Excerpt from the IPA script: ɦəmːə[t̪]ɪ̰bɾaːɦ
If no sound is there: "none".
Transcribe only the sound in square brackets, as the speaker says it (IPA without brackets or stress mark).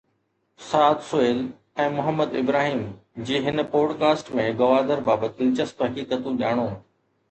d̪